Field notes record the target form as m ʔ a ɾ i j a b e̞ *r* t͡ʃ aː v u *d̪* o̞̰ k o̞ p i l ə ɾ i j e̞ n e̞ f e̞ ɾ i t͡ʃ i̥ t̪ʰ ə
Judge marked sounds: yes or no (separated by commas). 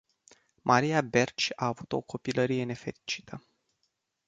yes, no